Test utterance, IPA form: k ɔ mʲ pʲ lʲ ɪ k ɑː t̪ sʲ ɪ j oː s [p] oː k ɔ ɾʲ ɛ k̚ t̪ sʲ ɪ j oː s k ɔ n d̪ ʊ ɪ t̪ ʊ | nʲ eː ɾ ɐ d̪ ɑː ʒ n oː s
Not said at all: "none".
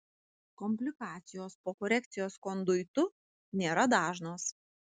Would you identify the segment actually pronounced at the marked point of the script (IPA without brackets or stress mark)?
p